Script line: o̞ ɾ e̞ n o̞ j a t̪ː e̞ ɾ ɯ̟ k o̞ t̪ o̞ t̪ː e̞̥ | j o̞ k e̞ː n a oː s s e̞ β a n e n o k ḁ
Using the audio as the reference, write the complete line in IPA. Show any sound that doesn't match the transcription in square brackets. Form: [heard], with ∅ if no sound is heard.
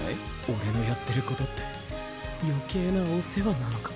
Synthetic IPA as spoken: o̞ ɾ e̞ n o̞ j a t̪ː e̞ ɾ ɯ̟ k o̞ t̪ o̞ t̪ː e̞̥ | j o̞ k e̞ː n a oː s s e̞ β a n [a] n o k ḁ